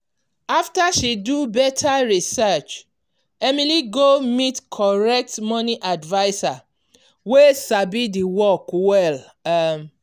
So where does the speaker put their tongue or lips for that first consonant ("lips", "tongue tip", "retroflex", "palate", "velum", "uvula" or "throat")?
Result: lips